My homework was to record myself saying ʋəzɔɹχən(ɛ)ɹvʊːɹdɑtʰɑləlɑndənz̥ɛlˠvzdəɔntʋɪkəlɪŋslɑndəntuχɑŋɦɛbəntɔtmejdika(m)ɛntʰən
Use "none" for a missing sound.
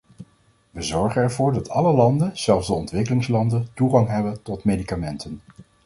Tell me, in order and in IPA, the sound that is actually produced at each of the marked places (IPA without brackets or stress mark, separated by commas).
ɛ, m